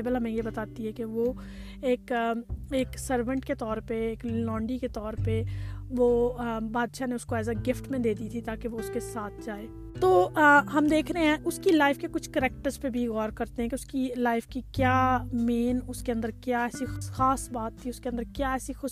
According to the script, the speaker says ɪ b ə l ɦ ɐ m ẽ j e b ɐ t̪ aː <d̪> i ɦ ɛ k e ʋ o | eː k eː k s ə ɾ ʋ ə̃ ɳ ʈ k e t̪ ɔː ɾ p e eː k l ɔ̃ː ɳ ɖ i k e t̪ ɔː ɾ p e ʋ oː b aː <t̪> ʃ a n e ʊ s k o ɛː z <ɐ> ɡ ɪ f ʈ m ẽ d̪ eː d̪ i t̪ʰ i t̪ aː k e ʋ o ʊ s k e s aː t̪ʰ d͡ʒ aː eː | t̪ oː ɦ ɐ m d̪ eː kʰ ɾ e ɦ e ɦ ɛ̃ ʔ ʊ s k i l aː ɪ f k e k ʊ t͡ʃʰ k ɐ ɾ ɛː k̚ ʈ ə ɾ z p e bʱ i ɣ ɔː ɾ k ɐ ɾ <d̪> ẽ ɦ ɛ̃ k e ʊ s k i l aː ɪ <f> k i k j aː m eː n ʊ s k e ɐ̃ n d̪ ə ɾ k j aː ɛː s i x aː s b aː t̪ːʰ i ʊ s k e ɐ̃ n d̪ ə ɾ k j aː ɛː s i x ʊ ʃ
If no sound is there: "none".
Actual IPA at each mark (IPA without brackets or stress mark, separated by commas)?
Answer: t̪, d̪, a, t̪, f